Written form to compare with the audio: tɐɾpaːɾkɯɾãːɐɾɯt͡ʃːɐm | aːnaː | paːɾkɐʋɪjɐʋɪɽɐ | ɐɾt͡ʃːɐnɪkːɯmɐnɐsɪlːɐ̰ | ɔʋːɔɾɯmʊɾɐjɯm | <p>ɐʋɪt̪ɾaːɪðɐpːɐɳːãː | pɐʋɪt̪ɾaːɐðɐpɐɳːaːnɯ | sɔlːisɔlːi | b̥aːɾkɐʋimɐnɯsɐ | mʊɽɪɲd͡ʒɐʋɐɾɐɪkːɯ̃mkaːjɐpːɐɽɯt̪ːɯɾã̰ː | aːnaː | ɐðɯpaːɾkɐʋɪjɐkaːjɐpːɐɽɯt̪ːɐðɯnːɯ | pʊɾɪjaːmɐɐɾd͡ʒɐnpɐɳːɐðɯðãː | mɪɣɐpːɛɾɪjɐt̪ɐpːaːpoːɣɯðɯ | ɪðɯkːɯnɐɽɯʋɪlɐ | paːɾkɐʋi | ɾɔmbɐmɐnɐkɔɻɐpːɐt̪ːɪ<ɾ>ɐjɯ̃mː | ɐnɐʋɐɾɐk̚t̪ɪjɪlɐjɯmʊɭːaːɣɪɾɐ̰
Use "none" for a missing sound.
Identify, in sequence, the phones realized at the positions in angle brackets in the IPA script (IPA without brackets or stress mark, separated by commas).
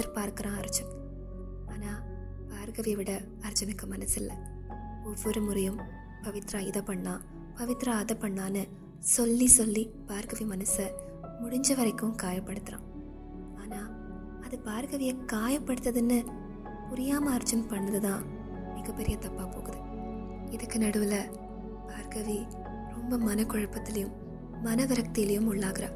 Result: p, l